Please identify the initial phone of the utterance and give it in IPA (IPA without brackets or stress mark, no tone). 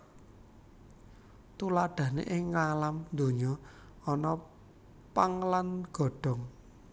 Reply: t̪